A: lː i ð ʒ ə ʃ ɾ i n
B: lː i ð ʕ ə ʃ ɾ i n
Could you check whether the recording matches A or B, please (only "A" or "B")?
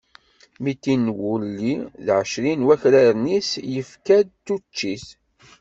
B